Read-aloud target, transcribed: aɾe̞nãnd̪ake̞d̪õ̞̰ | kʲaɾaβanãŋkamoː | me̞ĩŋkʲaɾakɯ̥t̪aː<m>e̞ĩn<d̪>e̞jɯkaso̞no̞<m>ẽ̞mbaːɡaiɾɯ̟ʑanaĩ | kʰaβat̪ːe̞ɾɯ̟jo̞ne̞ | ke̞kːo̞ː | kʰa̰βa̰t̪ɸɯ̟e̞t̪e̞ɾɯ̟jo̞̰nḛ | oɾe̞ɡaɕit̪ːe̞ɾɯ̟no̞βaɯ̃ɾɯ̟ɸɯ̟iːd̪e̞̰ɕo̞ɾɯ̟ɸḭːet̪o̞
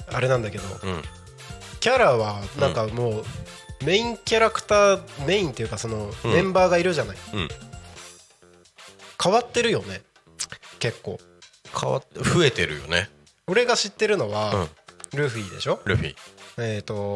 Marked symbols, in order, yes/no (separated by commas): yes, no, yes